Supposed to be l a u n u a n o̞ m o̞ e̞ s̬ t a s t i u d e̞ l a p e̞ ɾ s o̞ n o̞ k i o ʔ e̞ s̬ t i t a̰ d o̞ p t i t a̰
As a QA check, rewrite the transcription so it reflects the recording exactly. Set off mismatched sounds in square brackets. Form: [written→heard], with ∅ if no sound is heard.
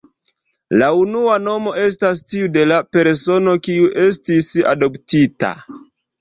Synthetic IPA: l a u n u a n o̞ m o̞ e̞ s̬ t a s t i u d e̞ l a p e̞ ɾ s o̞ n o̞ k i [o→u] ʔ e̞ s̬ t i [t→s] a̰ d o̞ p t i t a̰